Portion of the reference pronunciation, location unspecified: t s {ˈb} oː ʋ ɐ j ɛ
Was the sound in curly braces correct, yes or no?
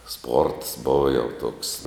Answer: yes